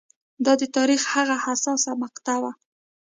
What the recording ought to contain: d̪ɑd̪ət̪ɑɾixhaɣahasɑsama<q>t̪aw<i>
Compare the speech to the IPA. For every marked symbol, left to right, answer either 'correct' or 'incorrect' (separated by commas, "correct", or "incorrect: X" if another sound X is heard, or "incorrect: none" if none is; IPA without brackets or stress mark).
correct, incorrect: a